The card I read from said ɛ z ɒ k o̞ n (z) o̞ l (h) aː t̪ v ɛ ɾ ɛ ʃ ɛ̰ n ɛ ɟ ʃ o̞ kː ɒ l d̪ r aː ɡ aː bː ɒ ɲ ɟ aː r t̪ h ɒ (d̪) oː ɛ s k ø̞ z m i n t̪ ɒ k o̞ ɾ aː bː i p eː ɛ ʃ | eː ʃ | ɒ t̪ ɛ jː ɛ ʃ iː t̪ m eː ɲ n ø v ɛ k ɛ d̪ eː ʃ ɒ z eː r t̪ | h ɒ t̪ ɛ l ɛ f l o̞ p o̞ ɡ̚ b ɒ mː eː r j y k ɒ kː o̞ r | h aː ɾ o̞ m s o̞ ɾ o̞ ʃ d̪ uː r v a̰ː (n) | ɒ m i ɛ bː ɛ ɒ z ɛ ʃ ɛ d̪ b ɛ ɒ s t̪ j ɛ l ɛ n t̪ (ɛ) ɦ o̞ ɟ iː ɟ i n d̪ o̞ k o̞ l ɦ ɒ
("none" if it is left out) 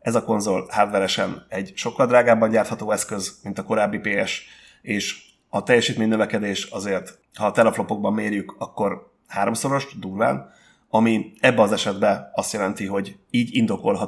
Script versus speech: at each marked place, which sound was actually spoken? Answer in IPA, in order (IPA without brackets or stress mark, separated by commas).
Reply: z, h, t̪, n, i